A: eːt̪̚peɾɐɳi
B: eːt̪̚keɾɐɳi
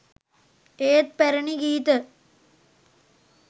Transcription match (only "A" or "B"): A